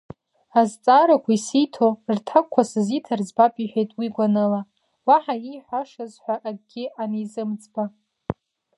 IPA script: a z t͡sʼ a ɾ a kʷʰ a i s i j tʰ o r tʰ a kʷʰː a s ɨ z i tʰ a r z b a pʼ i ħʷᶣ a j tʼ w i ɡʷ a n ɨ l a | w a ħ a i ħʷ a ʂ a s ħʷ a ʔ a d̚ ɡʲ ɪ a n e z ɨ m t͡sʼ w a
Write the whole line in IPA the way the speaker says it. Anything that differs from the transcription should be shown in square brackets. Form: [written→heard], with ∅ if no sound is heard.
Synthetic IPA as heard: a z t͡sʼ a ɾ a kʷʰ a i s i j tʰ o r tʰ a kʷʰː a s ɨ z i tʰ a r z b a pʼ i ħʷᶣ [a→e] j tʼ w i ɡʷ a n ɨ l a | w a ħ a i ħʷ a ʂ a [s→z] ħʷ a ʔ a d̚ ɡʲ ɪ a n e z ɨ m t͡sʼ [w→b] a